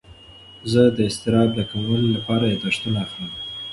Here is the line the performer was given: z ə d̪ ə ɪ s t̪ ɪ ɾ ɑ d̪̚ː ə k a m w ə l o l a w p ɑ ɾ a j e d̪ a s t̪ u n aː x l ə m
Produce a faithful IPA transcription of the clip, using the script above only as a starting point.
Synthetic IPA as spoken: z ə d̪ ə ɪ s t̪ ɪ ɾ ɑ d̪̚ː ə k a m w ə l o l a p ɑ ɾ a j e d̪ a ʂ t̪ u n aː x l ə m